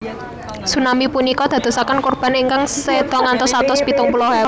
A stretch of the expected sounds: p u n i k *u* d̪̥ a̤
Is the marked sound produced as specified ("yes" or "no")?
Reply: no